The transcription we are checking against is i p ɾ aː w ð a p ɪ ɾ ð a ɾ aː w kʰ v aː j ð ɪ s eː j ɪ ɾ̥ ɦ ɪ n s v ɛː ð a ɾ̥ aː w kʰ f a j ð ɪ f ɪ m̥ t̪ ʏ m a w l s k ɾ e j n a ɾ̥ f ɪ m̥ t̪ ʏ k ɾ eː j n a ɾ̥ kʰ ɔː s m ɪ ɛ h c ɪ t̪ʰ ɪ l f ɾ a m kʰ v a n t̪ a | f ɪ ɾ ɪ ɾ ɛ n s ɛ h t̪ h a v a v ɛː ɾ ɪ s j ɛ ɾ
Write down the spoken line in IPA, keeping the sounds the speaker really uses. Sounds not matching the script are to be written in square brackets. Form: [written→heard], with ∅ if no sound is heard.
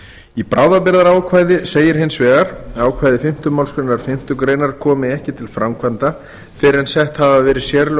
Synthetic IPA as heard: i p ɾ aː w ð a p ɪ ɾ ð a ɾ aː w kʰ v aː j ð ɪ s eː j ɪ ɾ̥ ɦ ɪ n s v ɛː [ð→ɣ] a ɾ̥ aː w kʰ [f→v] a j ð ɪ f ɪ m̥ t̪ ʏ m a w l s k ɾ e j n a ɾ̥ f ɪ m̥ t̪ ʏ k ɾ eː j n a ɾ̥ kʰ ɔː [s→∅] m ɪ ɛ h c ɪ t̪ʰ ɪ l f ɾ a m kʰ v a n t̪ a | f ɪ ɾ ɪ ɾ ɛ n s ɛ h t̪ h a v a v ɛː ɾ ɪ s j ɛ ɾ